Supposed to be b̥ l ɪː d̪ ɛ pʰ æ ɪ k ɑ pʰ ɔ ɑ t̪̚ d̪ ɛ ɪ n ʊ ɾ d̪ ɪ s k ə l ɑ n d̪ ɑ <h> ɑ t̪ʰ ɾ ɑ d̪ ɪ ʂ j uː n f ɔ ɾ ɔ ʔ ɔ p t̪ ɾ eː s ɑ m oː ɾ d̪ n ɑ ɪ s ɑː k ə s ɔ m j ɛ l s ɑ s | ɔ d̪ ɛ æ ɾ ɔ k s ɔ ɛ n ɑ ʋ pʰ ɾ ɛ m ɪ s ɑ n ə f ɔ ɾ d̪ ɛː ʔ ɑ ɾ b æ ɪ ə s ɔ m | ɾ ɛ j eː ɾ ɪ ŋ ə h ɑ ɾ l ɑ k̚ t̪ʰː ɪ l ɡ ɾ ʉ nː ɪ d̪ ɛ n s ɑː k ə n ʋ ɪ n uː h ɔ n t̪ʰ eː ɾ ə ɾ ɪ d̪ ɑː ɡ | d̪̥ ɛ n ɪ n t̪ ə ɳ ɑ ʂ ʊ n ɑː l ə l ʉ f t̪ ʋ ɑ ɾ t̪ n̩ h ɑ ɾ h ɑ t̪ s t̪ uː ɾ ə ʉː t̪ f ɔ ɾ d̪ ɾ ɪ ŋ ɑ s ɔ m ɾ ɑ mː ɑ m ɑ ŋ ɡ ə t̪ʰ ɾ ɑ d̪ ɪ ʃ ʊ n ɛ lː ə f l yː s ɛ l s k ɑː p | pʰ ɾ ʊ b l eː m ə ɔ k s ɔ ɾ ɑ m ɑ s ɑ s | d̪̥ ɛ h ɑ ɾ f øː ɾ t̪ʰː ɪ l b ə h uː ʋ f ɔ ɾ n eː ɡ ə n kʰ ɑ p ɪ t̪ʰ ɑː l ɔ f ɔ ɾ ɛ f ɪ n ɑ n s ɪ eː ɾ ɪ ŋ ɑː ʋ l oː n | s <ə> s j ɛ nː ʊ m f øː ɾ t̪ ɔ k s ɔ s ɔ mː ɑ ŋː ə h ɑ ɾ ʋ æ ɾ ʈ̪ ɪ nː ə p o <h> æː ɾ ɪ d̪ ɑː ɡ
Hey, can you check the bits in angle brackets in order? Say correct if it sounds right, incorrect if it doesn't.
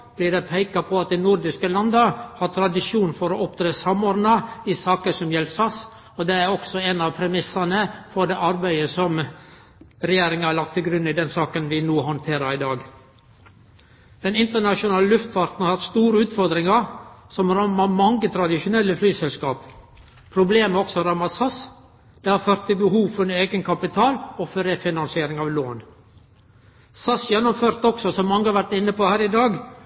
correct, incorrect: ɑ, correct

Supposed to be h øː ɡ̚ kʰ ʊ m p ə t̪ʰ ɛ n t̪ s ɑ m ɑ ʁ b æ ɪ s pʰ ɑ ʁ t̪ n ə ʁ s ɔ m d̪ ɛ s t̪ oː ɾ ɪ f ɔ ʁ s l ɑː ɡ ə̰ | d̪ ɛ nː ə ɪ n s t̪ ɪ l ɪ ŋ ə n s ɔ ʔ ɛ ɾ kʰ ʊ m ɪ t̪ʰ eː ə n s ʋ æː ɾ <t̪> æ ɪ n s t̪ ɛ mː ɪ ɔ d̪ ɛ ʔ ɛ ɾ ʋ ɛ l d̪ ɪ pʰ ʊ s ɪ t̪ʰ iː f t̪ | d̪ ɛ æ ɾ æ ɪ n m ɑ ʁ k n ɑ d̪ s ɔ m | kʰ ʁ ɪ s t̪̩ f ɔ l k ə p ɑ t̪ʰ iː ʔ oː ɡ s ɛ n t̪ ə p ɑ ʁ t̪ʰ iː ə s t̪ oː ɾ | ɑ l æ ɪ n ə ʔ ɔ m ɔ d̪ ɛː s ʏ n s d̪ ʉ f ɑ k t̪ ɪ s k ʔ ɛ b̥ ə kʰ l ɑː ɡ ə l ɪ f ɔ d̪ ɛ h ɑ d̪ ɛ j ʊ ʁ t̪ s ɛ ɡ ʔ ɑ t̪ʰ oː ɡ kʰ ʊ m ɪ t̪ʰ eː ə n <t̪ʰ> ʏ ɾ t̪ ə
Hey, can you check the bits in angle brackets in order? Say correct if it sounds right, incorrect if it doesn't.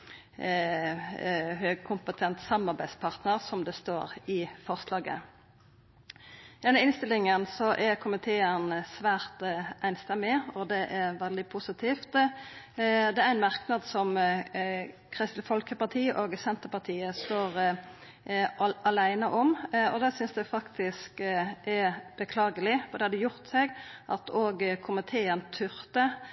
correct, correct

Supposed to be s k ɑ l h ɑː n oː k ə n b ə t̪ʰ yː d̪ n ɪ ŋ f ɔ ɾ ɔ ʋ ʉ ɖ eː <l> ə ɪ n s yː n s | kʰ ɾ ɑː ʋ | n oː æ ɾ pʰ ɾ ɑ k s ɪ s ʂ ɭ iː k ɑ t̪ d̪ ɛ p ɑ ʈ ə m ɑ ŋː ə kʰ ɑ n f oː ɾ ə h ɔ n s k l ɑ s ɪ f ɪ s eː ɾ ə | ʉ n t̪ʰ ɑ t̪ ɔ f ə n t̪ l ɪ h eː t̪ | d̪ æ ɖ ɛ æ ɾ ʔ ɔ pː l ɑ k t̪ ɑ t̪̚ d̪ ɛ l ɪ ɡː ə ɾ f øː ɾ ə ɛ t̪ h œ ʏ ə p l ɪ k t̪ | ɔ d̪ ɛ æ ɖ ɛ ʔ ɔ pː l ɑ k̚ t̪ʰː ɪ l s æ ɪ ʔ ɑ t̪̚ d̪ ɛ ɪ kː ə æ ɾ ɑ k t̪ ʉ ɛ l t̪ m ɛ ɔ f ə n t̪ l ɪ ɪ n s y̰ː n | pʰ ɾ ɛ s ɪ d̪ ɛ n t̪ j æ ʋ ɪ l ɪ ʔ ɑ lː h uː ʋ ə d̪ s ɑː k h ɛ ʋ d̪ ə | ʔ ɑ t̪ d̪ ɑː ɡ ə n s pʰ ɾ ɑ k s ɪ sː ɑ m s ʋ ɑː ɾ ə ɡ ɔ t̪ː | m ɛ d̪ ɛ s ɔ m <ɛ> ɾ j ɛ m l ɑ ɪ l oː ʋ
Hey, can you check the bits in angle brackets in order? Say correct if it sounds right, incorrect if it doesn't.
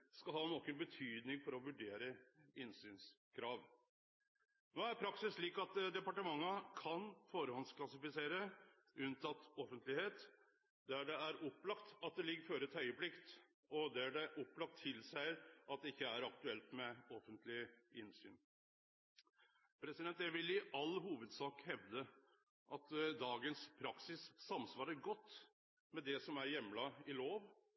incorrect: ɾ, incorrect: æ

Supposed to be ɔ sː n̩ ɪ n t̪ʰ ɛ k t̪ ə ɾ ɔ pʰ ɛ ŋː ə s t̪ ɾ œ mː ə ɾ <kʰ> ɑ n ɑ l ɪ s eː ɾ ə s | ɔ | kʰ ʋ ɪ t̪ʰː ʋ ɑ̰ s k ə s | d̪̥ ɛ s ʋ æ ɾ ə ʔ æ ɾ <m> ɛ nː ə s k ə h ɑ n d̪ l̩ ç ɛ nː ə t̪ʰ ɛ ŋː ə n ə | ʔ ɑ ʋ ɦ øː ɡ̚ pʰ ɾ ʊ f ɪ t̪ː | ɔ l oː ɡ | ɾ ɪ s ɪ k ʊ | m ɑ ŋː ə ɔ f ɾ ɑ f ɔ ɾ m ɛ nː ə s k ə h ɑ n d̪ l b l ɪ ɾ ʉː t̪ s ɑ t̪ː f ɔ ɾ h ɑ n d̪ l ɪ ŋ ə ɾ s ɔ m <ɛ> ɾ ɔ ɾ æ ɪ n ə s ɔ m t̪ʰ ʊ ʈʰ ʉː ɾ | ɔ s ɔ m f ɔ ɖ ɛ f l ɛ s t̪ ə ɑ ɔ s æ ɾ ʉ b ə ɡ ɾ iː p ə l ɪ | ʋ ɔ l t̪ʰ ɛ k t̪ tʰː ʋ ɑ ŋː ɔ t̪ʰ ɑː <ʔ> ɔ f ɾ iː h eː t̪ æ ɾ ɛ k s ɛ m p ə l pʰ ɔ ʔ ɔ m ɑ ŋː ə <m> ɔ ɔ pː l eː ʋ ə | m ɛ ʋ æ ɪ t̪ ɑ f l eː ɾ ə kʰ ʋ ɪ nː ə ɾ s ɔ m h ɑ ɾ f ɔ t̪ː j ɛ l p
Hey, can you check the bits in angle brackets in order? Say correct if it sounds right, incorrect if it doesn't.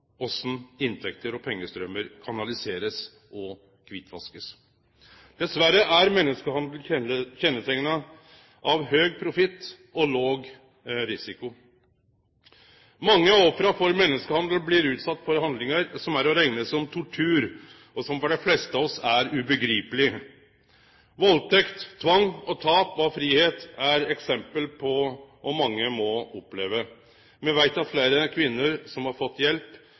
correct, correct, incorrect: æ, incorrect: p, correct

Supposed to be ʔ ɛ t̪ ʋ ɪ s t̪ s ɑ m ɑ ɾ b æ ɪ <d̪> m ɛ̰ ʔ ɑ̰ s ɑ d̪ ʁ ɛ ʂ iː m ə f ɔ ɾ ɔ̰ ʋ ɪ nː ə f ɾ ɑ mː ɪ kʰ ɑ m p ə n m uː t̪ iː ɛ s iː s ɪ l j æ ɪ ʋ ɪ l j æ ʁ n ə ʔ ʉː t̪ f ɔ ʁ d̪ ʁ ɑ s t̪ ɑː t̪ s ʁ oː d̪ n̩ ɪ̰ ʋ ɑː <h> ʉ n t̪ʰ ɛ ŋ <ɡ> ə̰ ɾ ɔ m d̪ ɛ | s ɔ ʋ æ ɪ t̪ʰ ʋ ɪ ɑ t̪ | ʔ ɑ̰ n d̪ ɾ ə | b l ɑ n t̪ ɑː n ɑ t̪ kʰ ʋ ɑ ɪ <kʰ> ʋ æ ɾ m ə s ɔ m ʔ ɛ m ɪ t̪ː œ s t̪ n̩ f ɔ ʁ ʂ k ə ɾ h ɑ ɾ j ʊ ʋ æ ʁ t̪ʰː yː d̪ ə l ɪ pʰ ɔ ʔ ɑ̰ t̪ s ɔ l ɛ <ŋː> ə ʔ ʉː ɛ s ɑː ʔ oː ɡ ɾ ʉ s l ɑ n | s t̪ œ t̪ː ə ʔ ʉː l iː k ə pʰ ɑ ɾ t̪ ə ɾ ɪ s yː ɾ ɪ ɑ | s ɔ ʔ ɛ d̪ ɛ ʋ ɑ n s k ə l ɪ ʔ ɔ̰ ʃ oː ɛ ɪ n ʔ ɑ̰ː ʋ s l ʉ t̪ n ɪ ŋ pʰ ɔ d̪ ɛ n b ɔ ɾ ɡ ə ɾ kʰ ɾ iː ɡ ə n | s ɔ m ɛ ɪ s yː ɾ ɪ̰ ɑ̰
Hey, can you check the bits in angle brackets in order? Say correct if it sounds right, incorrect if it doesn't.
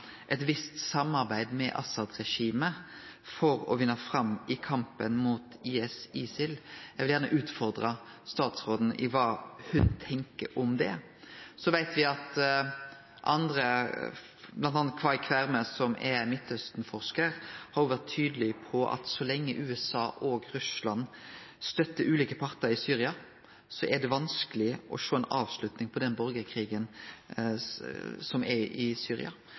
correct, correct, incorrect: k, correct, correct

